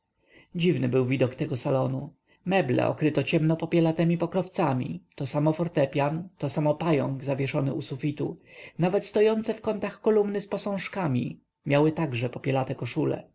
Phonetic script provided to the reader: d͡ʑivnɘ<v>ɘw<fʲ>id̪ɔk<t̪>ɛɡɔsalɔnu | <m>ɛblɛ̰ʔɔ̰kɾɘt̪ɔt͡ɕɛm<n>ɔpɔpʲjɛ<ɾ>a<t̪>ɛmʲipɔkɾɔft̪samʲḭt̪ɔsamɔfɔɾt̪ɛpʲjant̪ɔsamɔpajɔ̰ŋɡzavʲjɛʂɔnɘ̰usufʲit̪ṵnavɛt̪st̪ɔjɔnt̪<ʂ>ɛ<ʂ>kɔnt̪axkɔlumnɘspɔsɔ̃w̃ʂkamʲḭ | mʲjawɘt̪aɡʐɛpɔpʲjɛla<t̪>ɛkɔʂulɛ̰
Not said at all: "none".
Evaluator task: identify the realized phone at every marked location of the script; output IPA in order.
b, vʲ, t̪, m, n, l, t̪, s, f, t̪

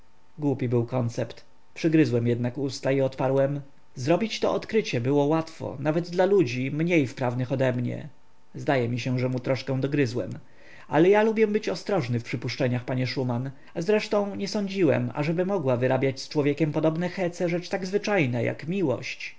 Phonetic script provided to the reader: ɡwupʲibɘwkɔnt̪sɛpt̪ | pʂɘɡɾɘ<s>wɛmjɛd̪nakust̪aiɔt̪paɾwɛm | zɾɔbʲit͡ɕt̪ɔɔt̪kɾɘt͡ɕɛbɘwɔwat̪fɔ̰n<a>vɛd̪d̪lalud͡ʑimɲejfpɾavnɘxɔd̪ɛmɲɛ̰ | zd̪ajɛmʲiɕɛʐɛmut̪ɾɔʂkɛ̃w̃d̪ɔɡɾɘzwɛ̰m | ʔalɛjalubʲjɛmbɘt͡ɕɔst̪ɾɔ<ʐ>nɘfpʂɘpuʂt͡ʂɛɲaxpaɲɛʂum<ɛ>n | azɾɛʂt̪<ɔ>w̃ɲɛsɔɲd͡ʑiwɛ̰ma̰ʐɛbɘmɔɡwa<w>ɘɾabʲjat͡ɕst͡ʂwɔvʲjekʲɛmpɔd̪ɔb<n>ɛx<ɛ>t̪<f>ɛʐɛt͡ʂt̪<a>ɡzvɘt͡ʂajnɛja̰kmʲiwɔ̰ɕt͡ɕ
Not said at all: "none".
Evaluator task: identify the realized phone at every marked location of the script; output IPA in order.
z, a, ʐ, a, ɔ̃, v, n, ɛ, s, a

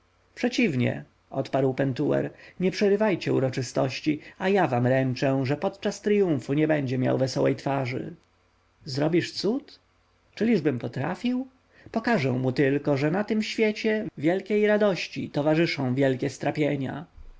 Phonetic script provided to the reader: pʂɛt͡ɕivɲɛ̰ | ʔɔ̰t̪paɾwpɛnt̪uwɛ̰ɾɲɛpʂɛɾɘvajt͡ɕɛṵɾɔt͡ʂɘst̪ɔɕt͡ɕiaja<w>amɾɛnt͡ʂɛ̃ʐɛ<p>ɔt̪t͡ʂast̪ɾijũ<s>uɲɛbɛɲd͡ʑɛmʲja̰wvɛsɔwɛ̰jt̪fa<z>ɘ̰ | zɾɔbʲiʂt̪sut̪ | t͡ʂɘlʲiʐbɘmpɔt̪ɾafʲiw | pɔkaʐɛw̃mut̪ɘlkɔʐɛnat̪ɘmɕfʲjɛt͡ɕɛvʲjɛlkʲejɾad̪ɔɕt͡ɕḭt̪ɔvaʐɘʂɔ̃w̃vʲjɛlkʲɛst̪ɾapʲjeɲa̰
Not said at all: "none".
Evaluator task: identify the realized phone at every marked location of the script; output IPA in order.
v, p, f, ʐ

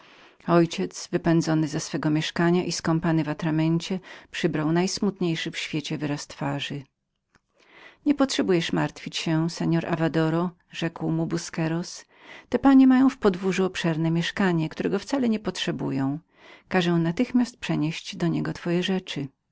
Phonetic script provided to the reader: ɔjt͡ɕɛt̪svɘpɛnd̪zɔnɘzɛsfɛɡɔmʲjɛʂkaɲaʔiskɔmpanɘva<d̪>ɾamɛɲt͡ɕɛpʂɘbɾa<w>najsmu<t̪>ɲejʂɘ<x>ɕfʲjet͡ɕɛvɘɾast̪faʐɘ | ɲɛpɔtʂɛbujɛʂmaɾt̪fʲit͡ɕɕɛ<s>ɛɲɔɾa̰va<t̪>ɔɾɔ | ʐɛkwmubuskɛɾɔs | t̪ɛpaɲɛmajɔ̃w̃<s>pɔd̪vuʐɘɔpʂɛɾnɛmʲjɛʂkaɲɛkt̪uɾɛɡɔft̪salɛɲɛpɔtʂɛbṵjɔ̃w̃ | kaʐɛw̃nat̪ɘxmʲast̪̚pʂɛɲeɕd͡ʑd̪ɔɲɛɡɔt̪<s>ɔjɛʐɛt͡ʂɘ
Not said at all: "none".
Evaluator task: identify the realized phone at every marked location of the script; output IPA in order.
t̪, w, t̪, f, s, d̪, f, f

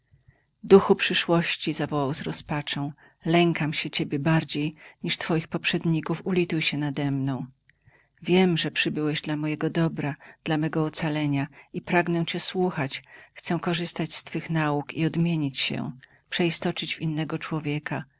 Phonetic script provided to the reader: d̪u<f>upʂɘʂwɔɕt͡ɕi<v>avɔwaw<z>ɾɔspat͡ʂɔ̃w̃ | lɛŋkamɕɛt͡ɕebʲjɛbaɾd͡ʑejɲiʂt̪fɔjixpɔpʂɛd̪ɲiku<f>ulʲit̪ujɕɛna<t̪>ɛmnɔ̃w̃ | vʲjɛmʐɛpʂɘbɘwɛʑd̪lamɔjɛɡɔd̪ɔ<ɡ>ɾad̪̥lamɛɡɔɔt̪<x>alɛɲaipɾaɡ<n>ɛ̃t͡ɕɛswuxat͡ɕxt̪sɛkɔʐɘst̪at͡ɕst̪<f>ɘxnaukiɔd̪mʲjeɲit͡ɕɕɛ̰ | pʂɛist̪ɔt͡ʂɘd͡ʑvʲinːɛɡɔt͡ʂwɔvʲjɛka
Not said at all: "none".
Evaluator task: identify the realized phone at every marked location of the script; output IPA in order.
x, z, z, f, d̪, b, s, n, f

